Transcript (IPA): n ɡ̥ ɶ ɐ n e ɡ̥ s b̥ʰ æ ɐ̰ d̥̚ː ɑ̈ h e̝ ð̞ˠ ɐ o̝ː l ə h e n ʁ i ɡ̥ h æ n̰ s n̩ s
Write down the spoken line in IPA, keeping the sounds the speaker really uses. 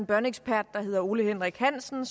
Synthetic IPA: n b̥ ɶ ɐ n e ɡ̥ s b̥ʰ æ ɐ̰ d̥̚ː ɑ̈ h e̝ ð̞ˠ ɐ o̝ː l ə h e n ʁ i ɡ̥ h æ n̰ s n̩ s